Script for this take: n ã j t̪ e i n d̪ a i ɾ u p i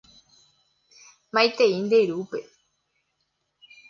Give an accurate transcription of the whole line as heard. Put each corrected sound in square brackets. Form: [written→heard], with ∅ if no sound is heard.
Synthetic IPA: [n→m] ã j t̪ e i n d̪ [a→e] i ɾ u p [i→e]